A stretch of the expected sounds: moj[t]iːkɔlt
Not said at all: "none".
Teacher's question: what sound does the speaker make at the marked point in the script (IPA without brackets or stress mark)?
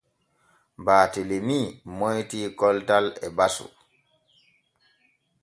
t